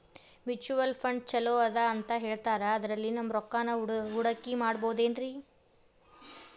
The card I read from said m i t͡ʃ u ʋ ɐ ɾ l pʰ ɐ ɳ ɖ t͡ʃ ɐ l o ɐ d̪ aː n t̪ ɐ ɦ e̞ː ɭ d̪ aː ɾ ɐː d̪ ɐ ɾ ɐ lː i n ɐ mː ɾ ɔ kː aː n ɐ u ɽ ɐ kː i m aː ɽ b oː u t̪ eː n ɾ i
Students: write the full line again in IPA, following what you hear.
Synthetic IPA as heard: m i t͡ʃ u ʋ ɐ l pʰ ɐ ɳ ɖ t͡ʃ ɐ l o ɐ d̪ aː n t̪ ɐ ɦ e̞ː ɭ t̪ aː ɾ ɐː d̪ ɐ ɾ ɐ lː i n ɐ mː ɾ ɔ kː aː n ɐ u ɽ ɐ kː i m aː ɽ b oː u d̪ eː n ɾ i

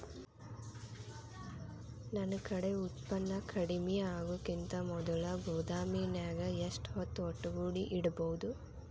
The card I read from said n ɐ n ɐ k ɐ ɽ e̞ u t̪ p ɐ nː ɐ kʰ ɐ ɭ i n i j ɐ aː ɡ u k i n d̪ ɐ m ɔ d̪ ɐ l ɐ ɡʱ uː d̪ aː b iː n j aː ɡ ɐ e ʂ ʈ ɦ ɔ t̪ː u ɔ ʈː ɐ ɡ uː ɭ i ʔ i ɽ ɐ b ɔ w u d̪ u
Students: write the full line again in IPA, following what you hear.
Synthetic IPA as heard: n ɐ n ɐ k ɐ ɽ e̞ u t̪ p ɐ nː ɐ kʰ ɐ ɽ i m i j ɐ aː ɡ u k i n t̪ ɐ m ɔ d̪ ɐ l ɐ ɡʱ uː d̪ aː m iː n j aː ɡ ɐ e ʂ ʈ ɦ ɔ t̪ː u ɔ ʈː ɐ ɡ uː ɽ i ʔ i ɽ ɐ b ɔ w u d̪ u

